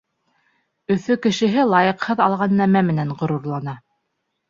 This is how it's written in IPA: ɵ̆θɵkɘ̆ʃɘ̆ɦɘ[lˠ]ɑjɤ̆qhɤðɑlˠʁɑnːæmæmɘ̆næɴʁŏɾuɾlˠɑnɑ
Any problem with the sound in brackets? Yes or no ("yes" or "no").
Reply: no